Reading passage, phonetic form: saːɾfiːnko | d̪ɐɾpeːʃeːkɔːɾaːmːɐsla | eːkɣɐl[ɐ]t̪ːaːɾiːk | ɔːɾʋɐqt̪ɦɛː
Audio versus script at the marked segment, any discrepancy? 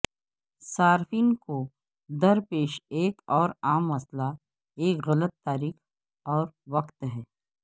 yes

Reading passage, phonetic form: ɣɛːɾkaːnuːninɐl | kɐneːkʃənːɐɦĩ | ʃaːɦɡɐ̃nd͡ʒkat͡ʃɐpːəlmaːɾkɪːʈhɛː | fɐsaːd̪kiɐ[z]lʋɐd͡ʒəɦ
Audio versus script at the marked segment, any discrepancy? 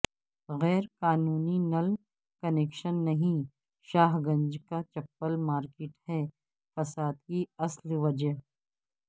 yes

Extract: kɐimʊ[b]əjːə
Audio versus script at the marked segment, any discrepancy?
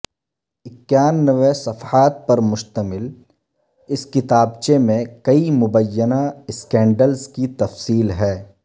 no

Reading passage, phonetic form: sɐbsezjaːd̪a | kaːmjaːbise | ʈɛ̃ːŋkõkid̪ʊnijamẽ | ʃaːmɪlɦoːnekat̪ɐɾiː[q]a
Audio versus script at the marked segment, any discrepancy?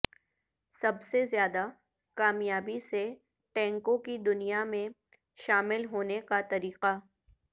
no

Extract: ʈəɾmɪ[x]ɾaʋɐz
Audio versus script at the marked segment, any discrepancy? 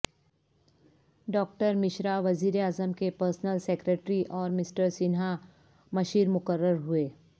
yes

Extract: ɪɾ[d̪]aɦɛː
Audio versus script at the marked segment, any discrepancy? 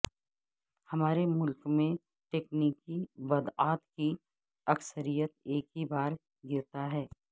yes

